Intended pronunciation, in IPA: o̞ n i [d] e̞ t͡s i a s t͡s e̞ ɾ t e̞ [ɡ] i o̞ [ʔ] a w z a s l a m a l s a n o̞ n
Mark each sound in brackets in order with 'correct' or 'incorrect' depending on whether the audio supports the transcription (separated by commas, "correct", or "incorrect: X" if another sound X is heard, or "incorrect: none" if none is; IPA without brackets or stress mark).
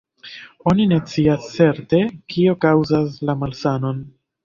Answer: incorrect: n, incorrect: k, incorrect: k